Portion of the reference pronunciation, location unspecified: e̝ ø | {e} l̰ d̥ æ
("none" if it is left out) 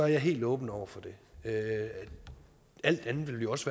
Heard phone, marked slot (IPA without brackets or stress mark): æ